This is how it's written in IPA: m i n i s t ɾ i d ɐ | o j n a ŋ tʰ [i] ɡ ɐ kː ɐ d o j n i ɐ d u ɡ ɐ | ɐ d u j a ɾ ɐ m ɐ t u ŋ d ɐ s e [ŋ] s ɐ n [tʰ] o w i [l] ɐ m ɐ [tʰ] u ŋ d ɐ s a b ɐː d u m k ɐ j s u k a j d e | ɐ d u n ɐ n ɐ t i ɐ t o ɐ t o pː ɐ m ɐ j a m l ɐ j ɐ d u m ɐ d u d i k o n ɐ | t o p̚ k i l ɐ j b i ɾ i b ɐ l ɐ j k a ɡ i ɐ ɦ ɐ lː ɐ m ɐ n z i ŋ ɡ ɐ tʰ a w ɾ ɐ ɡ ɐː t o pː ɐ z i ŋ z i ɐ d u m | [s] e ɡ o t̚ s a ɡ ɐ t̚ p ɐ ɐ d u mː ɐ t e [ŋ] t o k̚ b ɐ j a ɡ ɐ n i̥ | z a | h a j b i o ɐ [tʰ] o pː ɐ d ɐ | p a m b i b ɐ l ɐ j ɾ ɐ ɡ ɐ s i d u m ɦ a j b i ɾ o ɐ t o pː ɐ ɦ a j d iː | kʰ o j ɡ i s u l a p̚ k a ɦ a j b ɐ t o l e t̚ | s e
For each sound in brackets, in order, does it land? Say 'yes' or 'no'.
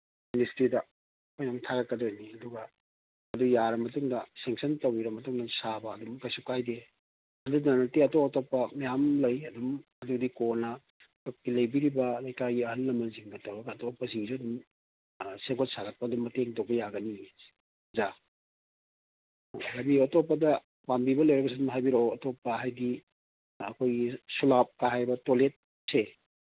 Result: no, yes, no, no, no, yes, yes, no

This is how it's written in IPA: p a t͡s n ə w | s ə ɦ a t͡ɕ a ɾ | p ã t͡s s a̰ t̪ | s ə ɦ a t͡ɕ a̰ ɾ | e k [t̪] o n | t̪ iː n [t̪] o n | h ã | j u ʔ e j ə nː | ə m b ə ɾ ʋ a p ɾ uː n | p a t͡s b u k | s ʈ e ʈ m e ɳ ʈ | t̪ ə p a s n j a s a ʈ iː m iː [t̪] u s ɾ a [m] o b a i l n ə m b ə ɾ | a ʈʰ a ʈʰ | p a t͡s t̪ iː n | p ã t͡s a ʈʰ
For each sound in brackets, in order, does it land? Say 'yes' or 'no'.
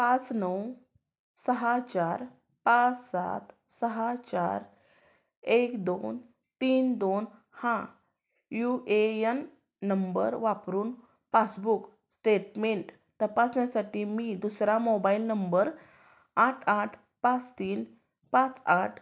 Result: no, no, no, yes

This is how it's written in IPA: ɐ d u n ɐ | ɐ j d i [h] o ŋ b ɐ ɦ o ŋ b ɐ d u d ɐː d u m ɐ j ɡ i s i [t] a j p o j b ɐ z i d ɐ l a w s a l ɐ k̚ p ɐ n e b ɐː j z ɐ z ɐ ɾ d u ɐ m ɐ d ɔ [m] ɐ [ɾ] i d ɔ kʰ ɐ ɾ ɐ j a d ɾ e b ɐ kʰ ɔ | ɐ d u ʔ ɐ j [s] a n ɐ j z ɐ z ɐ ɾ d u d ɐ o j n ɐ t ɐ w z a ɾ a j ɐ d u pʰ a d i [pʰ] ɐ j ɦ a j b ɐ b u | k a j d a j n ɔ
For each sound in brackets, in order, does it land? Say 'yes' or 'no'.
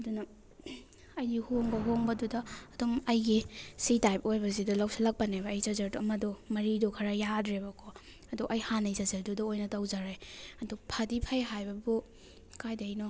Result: yes, yes, yes, yes, no, yes

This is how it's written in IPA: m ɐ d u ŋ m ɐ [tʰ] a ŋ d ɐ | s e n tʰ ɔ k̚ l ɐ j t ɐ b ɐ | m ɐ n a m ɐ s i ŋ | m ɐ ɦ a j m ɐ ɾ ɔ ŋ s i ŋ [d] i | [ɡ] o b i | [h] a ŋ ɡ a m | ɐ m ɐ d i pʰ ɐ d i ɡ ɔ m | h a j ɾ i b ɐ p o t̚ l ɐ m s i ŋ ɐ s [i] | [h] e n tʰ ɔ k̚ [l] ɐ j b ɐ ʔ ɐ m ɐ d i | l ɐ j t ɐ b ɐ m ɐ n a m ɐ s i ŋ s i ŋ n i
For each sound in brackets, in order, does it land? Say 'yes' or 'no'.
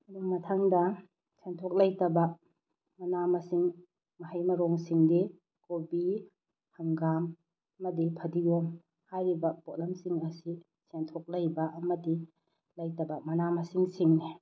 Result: yes, yes, no, yes, yes, no, yes

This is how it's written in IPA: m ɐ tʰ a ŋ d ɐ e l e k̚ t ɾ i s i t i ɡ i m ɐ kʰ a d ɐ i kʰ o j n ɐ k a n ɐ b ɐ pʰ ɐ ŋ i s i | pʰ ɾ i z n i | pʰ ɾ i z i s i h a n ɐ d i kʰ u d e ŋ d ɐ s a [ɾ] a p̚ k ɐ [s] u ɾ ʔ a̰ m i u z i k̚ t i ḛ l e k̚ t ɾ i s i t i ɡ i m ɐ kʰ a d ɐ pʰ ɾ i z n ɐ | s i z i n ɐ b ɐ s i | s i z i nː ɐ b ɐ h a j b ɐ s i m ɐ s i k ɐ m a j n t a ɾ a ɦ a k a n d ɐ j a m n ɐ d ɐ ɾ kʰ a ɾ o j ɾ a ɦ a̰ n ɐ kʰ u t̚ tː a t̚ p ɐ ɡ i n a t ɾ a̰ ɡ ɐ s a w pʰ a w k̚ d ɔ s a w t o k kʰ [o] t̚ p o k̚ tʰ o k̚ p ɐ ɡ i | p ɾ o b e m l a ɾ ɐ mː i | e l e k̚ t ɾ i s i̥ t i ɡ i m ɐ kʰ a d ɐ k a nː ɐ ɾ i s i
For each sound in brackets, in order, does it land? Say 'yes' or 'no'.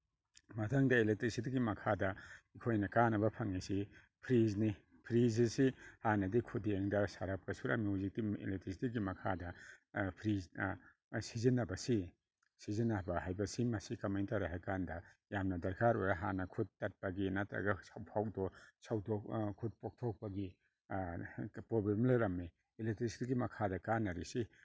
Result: yes, yes, no

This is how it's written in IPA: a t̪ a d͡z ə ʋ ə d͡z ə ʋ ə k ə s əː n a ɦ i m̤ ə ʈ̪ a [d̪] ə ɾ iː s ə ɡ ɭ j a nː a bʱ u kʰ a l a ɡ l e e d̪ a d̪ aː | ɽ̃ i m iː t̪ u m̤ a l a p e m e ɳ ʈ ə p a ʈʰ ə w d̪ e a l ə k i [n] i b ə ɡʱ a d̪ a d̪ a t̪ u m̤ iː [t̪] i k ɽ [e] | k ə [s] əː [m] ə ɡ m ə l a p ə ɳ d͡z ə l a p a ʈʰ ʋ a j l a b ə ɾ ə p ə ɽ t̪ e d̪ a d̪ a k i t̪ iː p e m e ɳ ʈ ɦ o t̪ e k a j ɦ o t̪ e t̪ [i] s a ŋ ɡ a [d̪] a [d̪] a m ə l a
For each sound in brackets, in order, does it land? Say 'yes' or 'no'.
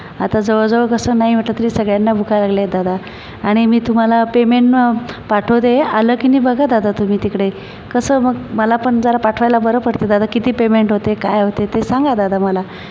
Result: no, yes, yes, yes, yes, yes, no, yes, yes

